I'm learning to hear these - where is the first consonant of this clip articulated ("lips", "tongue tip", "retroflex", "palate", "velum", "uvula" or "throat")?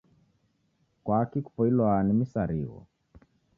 velum